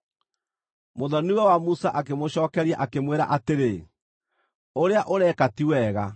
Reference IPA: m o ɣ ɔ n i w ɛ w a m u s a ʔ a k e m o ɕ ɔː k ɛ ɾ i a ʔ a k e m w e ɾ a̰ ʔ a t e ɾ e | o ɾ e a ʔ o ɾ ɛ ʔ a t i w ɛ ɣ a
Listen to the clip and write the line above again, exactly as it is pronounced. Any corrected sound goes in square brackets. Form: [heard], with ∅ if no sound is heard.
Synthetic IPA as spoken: m o [ð] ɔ n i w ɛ w a m u s a ʔ a k e m o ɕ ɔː k ɛ ɾ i a ʔ a k e m w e ɾ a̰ ʔ a t e ɾ e | o ɾ e a ʔ o ɾ ɛ [k] a t i w ɛ ɣ a